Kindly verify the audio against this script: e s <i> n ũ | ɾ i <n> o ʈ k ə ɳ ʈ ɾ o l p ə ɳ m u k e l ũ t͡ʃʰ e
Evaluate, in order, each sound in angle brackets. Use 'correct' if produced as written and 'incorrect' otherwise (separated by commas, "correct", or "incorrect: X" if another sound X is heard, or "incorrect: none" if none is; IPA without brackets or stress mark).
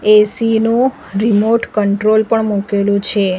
correct, incorrect: m